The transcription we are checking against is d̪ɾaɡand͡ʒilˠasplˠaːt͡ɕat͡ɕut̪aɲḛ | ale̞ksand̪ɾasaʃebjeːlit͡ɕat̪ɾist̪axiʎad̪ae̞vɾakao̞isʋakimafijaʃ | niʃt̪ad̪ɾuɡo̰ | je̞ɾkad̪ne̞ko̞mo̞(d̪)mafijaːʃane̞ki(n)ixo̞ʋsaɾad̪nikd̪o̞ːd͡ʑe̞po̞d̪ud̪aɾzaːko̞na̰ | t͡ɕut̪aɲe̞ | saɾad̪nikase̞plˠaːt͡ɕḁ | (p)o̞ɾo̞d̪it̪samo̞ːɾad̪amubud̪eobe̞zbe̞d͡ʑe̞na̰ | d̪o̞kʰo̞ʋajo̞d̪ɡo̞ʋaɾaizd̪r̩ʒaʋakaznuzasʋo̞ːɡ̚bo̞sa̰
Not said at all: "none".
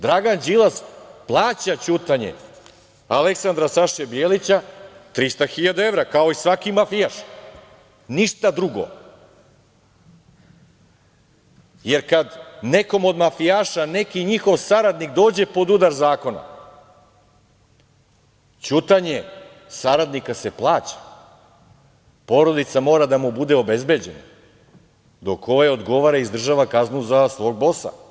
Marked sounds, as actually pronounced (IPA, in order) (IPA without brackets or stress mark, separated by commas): d̪, ɲ, p